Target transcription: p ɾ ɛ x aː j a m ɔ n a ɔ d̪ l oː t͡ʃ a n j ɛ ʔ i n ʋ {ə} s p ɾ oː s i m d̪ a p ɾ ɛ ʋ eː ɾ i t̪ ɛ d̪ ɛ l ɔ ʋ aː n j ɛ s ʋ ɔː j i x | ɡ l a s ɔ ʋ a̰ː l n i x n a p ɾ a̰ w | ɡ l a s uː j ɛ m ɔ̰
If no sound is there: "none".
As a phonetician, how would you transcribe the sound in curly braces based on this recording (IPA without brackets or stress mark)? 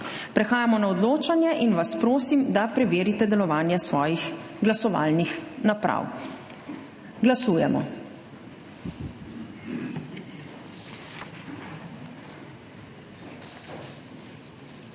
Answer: a